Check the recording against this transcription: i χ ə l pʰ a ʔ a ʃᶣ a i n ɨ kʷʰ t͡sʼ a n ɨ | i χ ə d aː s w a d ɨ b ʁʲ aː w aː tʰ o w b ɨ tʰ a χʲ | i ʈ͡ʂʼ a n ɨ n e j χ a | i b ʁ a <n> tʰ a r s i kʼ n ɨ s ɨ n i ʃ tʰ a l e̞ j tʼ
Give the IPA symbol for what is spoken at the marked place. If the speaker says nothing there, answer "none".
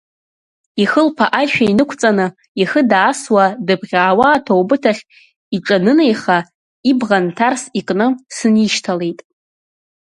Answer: n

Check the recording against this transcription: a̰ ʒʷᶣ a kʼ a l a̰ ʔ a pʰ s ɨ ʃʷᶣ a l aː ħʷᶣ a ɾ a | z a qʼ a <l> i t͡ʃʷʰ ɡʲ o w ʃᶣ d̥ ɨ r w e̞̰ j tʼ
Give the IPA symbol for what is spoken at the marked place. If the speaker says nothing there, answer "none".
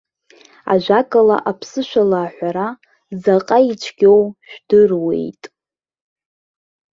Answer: none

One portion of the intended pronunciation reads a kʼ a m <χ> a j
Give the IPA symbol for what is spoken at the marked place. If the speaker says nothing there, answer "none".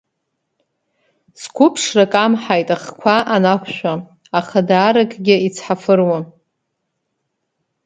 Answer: ħ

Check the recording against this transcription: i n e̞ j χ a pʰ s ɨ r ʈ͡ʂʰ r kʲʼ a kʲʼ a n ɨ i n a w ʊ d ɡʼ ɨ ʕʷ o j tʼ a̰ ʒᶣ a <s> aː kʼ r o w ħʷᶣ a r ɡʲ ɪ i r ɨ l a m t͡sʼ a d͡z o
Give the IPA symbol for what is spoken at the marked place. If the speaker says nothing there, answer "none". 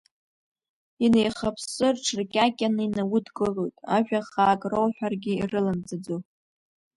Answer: χ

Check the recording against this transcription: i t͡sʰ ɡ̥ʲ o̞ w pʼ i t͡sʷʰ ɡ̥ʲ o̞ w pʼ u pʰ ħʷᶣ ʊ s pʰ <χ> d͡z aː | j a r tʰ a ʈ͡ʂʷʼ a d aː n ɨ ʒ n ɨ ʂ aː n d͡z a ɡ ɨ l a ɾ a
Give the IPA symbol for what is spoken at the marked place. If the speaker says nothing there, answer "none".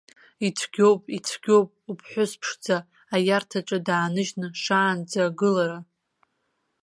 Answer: ʂ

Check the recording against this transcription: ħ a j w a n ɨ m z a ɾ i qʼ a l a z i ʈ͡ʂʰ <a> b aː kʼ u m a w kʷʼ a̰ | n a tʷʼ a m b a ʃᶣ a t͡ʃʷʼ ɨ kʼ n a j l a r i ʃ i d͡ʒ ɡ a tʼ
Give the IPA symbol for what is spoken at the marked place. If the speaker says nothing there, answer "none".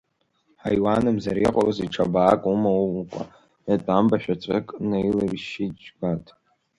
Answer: a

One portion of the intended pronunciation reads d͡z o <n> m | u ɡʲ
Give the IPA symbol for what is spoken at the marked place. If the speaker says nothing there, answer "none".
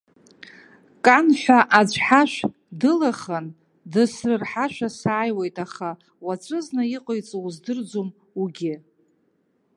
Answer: none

